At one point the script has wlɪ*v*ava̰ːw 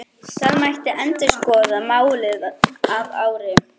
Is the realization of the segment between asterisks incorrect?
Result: yes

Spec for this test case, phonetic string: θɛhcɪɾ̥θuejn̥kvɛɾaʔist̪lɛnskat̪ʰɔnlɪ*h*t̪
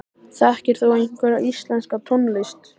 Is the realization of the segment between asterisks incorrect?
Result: yes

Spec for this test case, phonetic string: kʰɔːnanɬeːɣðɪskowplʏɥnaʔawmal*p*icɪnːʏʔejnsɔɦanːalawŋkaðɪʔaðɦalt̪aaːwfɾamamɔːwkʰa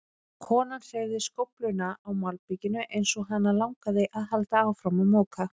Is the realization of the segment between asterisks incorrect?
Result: no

